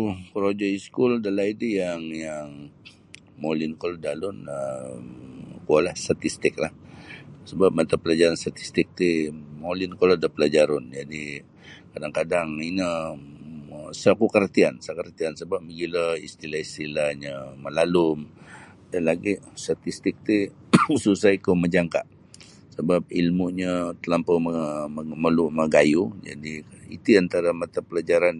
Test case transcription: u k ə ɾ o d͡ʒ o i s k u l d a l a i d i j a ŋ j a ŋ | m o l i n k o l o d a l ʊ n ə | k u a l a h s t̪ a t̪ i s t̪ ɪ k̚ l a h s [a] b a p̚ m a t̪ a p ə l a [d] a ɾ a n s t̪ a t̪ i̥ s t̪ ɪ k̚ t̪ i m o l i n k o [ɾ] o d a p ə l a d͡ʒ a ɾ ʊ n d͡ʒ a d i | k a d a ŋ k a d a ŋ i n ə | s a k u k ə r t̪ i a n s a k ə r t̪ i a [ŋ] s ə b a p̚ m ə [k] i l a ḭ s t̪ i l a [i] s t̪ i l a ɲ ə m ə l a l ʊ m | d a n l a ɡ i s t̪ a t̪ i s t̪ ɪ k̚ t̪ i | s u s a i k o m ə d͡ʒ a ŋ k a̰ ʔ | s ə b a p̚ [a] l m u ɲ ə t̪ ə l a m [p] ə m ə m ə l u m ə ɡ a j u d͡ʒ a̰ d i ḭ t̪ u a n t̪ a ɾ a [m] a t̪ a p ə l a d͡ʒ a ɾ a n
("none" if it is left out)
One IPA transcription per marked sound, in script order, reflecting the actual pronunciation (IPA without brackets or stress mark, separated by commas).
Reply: ə, d͡ʒ, l, n, ɡ, i, i, p, m